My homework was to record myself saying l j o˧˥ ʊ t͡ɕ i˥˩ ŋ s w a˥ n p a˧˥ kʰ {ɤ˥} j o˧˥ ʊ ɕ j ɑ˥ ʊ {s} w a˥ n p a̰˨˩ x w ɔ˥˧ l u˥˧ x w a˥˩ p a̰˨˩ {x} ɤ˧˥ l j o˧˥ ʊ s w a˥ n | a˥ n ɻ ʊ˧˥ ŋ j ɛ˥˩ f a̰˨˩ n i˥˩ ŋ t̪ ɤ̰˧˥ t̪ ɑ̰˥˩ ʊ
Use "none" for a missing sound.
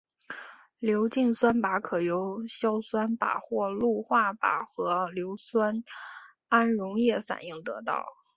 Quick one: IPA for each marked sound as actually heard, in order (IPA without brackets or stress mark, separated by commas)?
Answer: ɤ˨˩, s, x